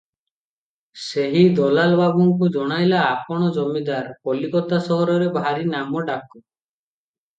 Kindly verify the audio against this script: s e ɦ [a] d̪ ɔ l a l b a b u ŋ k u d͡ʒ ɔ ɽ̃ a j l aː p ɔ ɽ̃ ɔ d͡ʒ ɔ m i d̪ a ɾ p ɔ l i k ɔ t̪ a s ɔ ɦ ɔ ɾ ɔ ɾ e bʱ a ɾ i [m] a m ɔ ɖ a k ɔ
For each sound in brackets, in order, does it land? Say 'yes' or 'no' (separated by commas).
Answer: no, no